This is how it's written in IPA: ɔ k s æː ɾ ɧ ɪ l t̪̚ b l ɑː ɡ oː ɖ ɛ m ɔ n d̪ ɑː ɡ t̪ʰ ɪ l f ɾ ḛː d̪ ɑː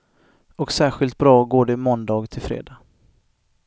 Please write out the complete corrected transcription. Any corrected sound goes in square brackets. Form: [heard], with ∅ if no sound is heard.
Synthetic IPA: ɔ k s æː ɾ ɧ ɪ l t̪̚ b [ɾ] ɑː ɡ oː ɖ ɛ m ɔ n d̪ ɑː ɡ t̪ʰ ɪ l f ɾ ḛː d̪ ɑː